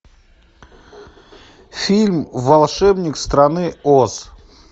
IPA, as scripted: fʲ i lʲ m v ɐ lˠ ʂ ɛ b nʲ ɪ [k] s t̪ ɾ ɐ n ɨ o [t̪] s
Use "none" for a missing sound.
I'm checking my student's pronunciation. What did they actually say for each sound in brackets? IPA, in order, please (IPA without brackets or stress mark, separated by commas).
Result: k, none